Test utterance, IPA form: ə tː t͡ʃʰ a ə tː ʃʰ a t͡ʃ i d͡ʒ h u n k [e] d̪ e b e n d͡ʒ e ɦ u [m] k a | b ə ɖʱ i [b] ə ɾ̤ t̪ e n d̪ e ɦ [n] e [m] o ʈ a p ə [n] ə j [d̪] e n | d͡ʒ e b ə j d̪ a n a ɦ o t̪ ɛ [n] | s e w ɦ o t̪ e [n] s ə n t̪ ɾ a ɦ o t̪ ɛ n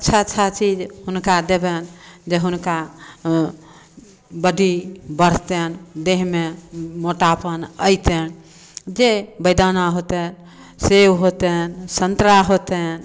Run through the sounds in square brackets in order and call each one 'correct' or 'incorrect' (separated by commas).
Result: incorrect, incorrect, correct, incorrect, correct, correct, incorrect, correct, correct